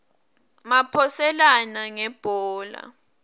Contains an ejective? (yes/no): no